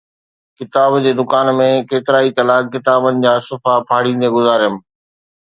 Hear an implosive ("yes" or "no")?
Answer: no